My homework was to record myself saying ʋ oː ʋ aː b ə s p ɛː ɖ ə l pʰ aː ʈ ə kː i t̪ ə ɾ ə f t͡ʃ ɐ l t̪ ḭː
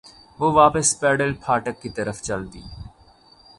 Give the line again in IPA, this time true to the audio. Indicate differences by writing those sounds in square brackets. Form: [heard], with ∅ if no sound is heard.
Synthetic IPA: ʋ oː ʋ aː [p] ə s p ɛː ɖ ə l pʰ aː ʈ ə kː i t̪ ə ɾ ə f t͡ʃ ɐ l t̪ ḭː